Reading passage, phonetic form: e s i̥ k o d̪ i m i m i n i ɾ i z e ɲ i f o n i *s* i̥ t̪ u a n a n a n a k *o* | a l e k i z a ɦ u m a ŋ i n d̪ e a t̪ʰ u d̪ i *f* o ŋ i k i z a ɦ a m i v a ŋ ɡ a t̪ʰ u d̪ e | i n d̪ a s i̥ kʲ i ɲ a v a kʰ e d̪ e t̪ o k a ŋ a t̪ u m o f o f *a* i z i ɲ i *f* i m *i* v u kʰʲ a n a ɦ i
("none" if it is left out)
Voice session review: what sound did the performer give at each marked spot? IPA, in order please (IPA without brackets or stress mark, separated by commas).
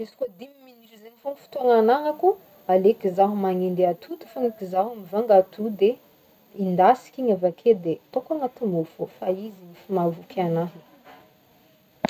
f, u, f, a, f, a